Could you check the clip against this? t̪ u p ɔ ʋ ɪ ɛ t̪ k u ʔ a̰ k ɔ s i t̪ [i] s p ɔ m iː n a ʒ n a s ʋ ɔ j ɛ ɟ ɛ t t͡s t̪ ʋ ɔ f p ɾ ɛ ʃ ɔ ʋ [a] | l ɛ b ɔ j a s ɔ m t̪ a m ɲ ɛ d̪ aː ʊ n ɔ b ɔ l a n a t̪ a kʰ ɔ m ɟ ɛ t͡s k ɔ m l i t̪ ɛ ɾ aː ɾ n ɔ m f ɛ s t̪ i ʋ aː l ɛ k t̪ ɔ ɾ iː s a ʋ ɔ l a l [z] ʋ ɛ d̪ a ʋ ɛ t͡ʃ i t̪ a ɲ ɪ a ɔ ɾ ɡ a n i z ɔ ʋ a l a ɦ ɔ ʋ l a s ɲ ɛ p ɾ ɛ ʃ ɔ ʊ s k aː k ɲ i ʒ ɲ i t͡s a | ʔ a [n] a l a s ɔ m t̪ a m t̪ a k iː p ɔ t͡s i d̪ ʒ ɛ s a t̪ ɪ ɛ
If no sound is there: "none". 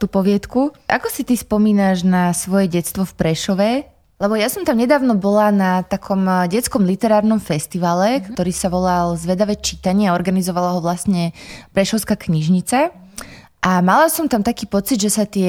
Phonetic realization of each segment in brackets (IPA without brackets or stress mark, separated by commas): i, ɛ, z, m